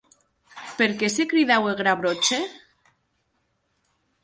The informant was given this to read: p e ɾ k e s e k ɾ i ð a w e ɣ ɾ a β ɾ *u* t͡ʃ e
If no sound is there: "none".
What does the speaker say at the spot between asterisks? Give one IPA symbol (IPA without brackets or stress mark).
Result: o